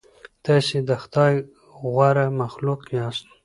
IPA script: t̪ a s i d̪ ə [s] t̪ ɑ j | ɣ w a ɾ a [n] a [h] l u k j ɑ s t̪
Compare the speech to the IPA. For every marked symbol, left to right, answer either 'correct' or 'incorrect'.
incorrect, incorrect, incorrect

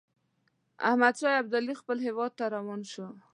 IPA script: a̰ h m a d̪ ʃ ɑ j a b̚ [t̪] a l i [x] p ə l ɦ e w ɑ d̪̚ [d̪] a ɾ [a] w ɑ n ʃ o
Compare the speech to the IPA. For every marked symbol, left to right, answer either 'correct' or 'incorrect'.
incorrect, correct, incorrect, correct

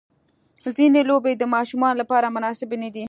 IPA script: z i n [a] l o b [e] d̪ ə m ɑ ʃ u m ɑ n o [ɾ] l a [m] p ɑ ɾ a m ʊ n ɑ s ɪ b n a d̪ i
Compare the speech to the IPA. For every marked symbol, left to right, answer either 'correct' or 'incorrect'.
incorrect, correct, incorrect, incorrect

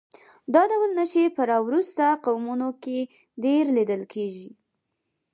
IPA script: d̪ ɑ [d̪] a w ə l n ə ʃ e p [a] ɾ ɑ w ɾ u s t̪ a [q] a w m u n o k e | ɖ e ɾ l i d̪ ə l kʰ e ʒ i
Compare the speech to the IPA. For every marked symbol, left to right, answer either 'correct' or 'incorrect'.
correct, incorrect, correct

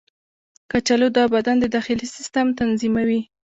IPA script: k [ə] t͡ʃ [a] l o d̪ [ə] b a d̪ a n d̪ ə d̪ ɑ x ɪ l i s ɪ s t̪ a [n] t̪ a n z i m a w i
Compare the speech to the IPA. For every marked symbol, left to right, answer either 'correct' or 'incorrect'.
incorrect, correct, incorrect, incorrect

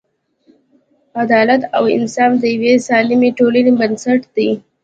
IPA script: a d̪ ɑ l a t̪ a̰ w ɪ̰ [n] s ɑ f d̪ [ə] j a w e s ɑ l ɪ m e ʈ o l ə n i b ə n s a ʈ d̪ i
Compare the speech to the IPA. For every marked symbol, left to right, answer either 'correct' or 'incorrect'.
correct, correct

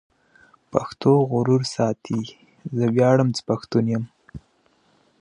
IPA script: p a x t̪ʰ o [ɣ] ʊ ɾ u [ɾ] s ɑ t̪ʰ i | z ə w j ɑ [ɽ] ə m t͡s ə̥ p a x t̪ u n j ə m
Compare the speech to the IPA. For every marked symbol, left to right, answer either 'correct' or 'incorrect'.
correct, correct, correct

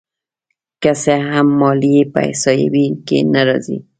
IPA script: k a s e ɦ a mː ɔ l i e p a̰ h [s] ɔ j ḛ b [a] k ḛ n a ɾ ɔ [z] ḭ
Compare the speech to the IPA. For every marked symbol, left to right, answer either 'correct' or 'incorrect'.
correct, incorrect, correct

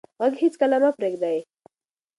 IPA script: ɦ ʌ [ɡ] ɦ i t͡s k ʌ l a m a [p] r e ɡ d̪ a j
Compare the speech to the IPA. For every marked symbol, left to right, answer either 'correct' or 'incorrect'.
correct, correct

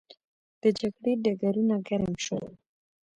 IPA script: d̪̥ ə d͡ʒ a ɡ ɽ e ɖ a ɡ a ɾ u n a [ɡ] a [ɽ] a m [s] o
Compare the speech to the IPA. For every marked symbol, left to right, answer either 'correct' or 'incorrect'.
correct, incorrect, incorrect

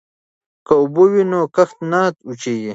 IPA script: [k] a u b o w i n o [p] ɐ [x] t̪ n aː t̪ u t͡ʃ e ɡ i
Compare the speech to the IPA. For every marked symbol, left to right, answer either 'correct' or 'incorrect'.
correct, incorrect, correct

